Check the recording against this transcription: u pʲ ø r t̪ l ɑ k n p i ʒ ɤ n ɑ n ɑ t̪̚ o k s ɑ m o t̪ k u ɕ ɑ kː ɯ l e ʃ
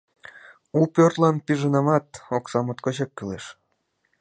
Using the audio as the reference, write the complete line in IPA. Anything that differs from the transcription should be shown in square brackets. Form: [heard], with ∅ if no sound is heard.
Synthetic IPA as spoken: u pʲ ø r t̪ l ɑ [∅] n p i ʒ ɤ n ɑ [m] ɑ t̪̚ o k s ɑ m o t̪ k [o] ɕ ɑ kː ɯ l e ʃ